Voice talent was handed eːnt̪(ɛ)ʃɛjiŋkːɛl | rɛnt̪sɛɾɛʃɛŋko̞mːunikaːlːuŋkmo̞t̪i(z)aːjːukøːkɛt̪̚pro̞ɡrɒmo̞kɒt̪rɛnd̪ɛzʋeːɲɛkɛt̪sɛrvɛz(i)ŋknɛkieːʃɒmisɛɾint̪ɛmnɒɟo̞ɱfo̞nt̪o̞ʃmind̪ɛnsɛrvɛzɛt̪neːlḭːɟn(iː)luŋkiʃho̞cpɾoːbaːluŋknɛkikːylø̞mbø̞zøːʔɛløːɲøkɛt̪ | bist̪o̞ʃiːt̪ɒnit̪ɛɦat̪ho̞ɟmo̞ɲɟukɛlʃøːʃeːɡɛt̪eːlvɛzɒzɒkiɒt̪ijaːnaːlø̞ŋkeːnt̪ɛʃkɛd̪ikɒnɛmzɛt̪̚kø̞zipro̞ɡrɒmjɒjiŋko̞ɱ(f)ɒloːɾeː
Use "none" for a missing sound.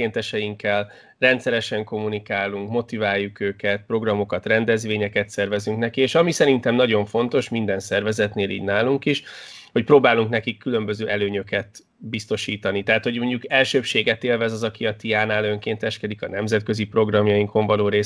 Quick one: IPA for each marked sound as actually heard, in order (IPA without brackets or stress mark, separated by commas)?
ɛ, v, y, aː, v